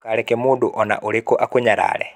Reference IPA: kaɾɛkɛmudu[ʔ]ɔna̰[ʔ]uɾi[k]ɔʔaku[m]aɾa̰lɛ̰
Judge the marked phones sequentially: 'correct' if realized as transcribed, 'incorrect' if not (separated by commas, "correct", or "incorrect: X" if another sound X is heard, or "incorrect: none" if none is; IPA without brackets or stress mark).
correct, correct, correct, incorrect: ɲ